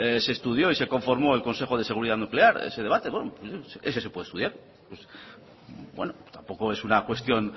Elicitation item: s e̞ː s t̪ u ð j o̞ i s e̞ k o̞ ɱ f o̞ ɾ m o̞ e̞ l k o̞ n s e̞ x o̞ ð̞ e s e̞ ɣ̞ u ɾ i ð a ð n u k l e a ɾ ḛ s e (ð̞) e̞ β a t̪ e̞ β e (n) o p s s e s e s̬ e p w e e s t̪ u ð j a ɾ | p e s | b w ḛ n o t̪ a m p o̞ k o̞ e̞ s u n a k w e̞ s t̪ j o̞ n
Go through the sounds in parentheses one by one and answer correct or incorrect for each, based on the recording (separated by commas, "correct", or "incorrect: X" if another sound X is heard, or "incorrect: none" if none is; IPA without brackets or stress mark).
correct, correct